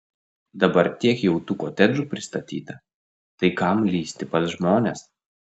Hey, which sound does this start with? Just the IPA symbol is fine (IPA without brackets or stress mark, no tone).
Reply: d̪